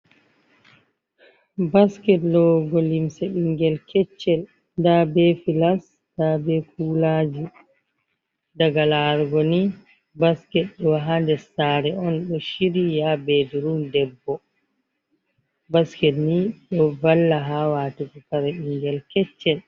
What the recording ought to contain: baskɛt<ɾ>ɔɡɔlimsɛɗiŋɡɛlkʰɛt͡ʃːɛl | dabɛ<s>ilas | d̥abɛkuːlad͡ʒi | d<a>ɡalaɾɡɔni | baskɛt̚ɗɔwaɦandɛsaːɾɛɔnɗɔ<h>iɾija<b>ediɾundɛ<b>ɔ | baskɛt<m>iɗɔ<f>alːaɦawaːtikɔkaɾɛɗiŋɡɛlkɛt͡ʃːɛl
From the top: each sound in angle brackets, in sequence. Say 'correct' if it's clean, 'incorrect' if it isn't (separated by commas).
incorrect, incorrect, correct, incorrect, correct, incorrect, incorrect, incorrect